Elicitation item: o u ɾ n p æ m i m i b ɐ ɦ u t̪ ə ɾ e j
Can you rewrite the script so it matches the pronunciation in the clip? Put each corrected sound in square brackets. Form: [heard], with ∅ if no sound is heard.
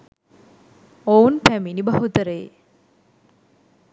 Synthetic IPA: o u [∅] n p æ m i [n] i b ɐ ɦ u t̪ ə ɾ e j